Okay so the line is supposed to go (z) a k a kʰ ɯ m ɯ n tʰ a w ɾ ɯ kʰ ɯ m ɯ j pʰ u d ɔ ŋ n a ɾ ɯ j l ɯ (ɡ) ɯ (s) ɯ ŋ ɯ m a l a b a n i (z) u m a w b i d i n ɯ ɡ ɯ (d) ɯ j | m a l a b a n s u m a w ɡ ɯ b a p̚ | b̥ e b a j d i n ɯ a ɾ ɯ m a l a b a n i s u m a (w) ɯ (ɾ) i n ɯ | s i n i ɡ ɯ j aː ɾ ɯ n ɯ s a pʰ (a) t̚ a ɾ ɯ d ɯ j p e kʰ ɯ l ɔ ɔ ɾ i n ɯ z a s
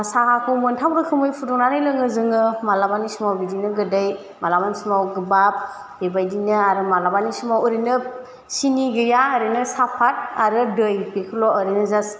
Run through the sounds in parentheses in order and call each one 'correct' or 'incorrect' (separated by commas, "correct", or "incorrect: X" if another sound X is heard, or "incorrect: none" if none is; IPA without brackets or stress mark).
incorrect: s, incorrect: ŋ, incorrect: z, incorrect: s, correct, correct, correct, correct